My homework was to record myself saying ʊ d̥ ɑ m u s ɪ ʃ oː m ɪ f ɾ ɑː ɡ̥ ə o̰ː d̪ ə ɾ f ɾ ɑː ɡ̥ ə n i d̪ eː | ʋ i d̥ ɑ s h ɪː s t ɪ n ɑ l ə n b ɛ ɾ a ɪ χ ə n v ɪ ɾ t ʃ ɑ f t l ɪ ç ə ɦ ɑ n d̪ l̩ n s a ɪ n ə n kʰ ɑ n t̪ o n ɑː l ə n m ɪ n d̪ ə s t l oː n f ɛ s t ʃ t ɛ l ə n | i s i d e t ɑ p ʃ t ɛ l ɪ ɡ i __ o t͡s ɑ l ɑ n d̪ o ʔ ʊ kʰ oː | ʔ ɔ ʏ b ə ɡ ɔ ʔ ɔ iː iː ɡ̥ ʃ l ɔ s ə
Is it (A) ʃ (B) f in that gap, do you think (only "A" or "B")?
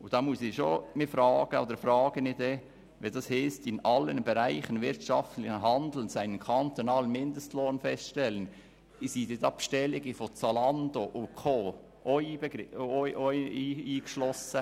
B